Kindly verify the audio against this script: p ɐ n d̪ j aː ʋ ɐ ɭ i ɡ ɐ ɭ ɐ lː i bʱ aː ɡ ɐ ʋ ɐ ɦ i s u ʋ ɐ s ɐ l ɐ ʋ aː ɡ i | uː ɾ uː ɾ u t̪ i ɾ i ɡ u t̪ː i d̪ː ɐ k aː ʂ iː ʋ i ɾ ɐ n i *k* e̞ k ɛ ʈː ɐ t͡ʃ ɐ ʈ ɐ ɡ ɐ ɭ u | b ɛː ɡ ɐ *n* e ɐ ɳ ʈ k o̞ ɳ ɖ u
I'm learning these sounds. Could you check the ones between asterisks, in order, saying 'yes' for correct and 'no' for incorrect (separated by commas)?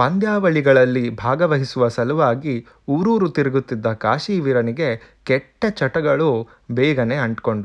no, yes